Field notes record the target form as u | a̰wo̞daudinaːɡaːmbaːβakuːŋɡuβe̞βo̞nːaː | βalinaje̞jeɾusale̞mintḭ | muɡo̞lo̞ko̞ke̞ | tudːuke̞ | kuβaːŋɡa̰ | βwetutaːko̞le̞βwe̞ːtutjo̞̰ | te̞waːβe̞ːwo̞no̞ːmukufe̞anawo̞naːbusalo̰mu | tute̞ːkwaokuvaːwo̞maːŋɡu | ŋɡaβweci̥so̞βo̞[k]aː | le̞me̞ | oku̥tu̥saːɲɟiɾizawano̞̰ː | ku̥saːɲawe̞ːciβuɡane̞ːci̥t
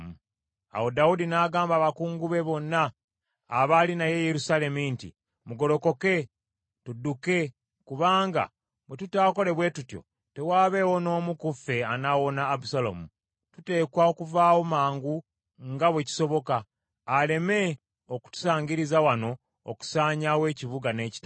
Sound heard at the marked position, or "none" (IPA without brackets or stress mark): k